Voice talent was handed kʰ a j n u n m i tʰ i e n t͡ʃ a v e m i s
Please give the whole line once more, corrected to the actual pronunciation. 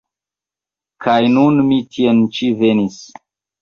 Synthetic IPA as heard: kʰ a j n u n m i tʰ i e n t͡ʃ i v e n i s